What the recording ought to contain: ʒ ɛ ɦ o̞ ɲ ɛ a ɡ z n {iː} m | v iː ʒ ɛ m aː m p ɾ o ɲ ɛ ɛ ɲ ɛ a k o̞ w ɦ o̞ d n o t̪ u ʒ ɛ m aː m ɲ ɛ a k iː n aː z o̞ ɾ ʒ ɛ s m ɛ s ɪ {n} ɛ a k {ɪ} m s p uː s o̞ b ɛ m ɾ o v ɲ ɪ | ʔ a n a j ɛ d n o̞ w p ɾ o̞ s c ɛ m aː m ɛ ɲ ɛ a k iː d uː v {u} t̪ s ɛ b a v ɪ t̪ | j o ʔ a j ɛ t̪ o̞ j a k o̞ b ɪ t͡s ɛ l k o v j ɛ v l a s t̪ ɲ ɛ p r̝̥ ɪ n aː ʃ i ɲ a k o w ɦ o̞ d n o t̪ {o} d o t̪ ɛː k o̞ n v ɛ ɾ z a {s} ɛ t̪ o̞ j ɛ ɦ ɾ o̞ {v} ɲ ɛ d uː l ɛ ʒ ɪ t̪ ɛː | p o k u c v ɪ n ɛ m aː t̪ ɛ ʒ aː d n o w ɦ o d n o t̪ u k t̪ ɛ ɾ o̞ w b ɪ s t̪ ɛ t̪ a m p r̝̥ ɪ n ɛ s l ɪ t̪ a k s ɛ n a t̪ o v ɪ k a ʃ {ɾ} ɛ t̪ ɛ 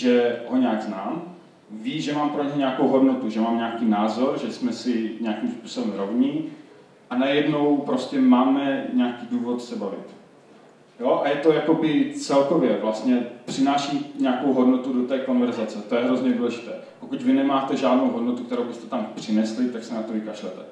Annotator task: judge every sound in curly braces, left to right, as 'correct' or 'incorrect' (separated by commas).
incorrect, incorrect, incorrect, incorrect, incorrect, incorrect, incorrect, incorrect